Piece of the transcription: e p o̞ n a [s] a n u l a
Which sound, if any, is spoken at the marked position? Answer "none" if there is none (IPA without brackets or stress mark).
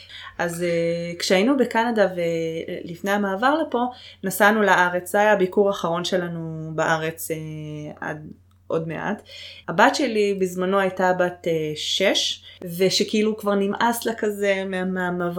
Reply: s